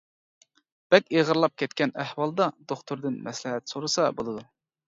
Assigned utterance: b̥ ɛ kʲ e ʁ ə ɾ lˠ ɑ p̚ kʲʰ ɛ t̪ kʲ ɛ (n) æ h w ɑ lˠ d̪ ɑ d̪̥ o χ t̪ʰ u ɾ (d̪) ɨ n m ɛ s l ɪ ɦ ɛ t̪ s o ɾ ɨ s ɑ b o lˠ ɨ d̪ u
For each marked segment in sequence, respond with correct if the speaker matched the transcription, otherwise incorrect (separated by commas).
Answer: correct, correct